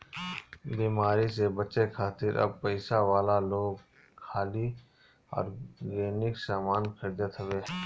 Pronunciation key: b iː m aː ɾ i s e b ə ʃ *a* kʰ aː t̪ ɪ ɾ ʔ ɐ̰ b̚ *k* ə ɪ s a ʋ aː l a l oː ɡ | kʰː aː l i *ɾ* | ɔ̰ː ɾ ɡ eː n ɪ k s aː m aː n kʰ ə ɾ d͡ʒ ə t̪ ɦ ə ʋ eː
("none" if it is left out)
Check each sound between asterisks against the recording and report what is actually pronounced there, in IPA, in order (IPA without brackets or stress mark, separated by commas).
e, p, none